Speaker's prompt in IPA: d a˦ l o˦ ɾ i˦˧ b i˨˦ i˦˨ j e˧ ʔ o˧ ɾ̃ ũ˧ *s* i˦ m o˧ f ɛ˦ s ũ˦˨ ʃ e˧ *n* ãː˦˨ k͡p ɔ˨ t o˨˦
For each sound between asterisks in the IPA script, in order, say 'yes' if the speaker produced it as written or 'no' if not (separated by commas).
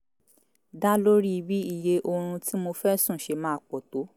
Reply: no, no